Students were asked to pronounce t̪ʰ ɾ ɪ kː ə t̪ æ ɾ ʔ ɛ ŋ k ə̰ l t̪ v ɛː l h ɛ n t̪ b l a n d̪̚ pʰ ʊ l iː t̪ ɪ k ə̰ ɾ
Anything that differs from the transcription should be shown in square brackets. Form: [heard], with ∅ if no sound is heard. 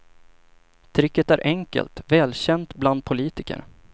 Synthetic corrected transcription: t̪ʰ ɾ ɪ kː ə t̪ æ ɾ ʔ ɛ ŋ k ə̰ l t̪ v ɛː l [ɕ] ɛ n t̪ b l a n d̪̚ pʰ ʊ l iː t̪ ɪ k ə̰ ɾ